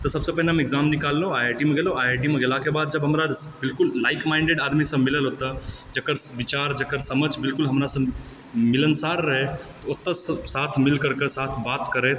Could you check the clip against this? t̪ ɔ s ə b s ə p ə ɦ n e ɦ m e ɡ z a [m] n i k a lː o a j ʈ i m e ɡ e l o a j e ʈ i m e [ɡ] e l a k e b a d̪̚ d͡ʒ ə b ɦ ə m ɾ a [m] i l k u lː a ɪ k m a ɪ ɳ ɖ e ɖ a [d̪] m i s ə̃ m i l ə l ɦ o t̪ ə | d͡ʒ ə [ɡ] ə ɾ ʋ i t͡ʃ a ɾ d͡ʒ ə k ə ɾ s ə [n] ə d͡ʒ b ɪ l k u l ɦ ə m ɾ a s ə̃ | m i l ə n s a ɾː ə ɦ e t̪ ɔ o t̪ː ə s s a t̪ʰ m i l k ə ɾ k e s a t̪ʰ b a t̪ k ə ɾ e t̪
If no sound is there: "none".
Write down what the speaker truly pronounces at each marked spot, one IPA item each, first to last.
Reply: m, ɡ, b, d̪, k, m

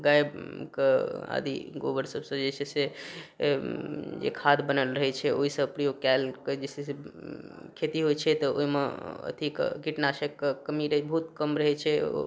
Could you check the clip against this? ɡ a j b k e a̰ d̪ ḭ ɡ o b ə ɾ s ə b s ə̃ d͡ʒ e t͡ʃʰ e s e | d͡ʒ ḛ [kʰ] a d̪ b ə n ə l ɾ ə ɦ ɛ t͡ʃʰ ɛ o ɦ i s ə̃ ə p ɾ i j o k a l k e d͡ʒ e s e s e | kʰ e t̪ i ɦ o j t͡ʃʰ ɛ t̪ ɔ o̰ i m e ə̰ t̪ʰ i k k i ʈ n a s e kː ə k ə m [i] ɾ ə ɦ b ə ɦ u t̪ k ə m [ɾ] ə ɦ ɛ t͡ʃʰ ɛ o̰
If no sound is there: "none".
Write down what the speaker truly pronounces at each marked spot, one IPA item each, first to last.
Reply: kʰ, i, ɾ

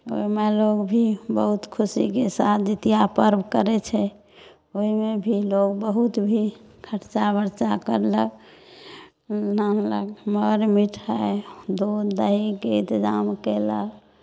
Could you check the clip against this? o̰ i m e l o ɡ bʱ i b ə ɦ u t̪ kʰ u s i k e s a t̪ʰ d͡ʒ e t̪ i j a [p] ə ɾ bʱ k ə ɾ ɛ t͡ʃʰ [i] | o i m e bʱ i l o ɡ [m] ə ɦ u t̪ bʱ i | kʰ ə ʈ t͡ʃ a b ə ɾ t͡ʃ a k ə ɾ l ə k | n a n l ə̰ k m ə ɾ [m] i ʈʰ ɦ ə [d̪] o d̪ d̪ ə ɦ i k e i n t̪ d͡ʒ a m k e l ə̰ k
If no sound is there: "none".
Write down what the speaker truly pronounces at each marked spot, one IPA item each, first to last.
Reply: p, ɛ, b, m, d̪

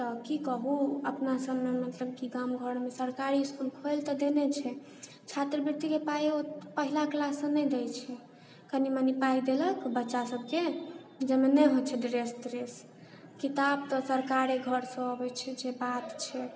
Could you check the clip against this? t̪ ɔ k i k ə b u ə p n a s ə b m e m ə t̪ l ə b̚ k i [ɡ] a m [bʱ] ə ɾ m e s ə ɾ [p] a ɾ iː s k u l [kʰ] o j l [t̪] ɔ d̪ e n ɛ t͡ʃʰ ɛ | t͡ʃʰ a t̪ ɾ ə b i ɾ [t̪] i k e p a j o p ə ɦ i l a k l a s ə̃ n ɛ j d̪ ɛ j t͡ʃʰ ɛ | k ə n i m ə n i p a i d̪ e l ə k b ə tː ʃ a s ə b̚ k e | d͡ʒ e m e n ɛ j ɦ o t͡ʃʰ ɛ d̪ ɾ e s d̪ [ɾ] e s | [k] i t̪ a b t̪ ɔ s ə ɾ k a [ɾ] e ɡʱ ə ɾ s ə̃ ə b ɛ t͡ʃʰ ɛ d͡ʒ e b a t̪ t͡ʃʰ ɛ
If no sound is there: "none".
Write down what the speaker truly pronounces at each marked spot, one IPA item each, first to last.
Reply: ɡ, ɡʱ, k, kʰ, t̪, t̪, ɾ, k, ɾ

